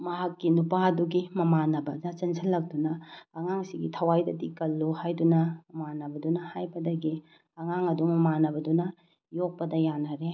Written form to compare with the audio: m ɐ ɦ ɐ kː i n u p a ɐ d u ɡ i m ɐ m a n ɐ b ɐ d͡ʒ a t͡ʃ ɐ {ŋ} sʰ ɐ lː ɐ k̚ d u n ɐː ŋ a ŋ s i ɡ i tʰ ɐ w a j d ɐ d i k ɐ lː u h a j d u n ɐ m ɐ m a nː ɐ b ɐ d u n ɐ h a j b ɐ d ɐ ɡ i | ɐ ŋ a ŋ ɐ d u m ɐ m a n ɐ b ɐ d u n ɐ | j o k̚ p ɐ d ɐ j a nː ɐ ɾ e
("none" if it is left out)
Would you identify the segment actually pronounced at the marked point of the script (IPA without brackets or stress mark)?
n